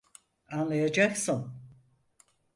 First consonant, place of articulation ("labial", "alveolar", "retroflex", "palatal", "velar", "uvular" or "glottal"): alveolar